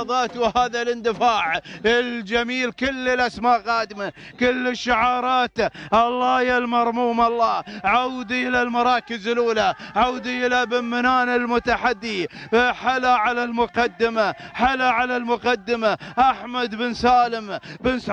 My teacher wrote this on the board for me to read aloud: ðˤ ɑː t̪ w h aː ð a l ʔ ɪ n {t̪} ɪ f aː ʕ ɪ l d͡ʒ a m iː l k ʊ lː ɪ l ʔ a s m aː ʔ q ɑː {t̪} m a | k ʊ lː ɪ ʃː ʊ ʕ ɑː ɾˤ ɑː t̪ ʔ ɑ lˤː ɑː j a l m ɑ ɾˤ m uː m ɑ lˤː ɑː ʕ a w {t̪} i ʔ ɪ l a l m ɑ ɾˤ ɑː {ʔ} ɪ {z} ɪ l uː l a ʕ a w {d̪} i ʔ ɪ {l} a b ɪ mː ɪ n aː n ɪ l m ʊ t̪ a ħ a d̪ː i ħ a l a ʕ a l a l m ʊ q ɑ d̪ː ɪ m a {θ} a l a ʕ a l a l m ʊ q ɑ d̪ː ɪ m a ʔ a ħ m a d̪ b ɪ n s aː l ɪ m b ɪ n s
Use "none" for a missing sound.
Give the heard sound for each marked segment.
d̪, d̪, d̪, k, z, d̪, l, ħ

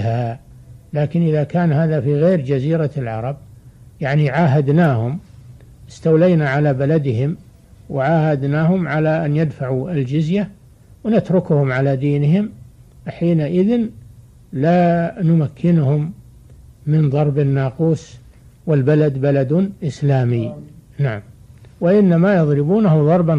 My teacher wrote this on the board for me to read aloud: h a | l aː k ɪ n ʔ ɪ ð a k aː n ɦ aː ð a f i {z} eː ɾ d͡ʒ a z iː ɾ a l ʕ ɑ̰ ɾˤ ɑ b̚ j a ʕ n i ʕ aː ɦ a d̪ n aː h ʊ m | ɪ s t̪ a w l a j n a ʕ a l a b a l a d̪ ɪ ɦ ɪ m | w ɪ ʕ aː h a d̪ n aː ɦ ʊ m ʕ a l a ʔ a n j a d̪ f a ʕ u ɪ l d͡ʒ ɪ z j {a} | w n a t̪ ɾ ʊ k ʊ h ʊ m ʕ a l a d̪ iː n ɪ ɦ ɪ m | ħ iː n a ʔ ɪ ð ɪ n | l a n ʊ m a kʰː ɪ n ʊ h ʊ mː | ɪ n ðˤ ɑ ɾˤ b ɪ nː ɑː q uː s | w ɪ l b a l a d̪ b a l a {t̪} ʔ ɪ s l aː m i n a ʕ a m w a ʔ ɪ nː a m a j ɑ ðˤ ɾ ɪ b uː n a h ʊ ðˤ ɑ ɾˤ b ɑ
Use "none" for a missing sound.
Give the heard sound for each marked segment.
ɣ, a, d̪

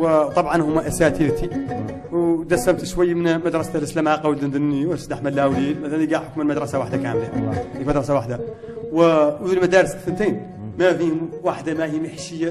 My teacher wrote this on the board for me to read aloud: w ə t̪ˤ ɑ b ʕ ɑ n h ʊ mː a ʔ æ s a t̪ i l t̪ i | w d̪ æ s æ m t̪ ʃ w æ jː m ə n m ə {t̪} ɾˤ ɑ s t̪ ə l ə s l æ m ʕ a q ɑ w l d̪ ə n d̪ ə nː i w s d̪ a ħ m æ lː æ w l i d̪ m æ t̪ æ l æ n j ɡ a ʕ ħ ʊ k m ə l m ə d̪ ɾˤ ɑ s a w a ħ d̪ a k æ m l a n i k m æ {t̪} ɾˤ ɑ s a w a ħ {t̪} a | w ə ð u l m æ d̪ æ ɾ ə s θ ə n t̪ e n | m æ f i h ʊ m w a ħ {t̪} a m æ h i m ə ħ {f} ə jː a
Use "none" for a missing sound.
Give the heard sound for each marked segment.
d̪, d̪, d̪, d̪, ʃ

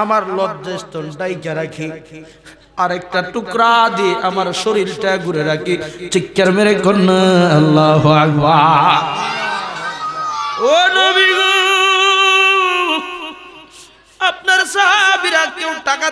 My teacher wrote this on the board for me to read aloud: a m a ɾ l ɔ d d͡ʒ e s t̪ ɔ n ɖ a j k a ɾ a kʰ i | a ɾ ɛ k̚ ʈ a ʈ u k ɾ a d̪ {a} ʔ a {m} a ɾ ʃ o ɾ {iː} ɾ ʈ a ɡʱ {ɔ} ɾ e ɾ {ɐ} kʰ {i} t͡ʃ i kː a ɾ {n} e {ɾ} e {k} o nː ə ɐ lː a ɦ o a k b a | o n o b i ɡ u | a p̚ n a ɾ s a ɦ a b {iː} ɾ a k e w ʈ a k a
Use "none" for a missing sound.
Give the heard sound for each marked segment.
i, m, i, u, a, i, m, ɾ, k, i

